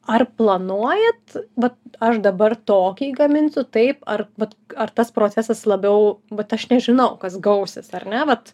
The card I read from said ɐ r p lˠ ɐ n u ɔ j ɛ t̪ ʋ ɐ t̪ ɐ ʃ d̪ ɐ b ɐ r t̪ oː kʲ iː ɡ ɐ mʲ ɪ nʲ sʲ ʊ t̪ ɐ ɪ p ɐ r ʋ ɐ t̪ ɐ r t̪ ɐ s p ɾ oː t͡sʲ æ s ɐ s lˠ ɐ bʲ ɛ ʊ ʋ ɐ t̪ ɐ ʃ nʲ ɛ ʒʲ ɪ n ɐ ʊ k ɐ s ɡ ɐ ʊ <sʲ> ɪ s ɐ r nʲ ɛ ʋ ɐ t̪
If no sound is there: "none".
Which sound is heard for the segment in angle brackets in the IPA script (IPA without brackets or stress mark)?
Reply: sʲ